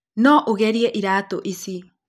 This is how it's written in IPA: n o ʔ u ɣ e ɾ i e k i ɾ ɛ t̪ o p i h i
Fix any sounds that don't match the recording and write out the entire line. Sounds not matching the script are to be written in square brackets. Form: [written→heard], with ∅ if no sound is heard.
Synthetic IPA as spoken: n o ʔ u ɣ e ɾ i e [k→ʔ] i ɾ [ɛ→a] t̪ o [p→ʔ] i [h→s] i